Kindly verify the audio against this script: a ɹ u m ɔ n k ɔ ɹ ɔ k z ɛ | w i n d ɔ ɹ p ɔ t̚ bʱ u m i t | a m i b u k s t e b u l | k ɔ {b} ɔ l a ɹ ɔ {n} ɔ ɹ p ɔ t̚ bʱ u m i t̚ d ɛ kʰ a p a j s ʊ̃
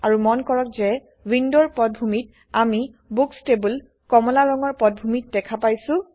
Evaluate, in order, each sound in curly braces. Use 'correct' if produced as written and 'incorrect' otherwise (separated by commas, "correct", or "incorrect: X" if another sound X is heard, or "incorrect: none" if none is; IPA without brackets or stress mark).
incorrect: m, incorrect: ŋ